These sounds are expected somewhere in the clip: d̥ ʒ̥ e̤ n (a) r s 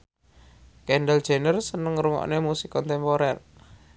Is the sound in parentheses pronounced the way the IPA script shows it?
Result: no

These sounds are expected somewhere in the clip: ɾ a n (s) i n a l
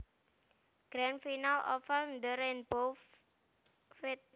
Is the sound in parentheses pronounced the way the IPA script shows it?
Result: no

